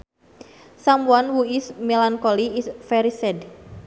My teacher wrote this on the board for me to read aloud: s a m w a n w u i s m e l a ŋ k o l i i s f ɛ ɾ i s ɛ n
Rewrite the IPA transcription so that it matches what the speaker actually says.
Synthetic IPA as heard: s a m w a n w u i s m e l a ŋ k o l i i s f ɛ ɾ i s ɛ d